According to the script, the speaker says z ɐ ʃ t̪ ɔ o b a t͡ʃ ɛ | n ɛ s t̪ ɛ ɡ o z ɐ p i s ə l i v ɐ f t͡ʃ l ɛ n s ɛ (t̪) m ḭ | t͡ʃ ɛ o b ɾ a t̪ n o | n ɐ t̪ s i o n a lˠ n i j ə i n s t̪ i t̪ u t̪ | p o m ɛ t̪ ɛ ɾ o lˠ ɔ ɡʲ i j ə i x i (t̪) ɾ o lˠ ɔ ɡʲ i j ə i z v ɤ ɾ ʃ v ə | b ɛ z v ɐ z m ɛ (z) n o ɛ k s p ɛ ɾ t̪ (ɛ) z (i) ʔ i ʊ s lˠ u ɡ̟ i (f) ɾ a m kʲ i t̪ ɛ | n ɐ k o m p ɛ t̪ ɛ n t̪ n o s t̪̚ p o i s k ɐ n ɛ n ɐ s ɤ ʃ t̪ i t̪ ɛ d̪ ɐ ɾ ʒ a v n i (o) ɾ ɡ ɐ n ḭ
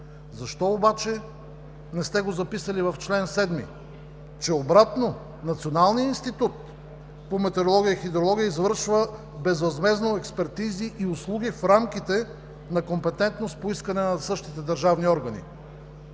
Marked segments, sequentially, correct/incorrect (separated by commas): incorrect, incorrect, correct, incorrect, correct, correct, incorrect